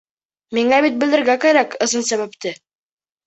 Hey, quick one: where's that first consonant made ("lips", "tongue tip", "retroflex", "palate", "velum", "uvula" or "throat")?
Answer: lips